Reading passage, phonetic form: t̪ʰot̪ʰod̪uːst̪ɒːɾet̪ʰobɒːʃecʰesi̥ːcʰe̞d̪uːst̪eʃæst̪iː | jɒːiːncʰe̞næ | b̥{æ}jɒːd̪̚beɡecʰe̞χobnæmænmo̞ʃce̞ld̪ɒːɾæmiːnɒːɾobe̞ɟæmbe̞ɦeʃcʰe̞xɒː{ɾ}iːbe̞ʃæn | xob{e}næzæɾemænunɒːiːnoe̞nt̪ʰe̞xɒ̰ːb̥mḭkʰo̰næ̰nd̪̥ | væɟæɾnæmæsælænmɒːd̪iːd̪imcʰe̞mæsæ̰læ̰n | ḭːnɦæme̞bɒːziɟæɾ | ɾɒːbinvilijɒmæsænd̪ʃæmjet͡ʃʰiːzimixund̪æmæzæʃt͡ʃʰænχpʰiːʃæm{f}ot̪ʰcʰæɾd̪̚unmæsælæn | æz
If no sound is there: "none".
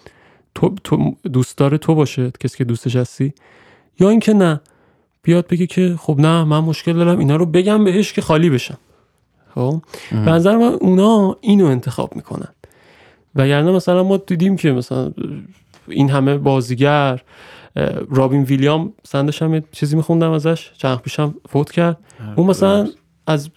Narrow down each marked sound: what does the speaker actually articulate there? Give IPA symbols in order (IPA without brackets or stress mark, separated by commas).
i, l, e, f